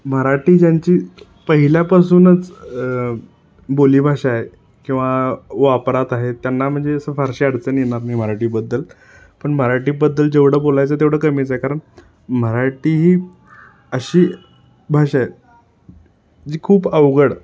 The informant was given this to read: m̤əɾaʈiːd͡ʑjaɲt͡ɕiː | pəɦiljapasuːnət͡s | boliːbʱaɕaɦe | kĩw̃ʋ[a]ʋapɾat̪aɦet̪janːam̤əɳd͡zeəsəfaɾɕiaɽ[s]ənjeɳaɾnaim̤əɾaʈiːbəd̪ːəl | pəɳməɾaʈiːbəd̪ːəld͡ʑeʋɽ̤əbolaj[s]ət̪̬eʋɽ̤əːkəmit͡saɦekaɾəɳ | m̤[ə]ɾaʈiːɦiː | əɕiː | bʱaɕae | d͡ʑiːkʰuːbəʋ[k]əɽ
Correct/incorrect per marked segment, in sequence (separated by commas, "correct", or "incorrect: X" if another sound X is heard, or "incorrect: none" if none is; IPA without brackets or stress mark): correct, incorrect: t͡s, incorrect: t͡s, correct, incorrect: ɡ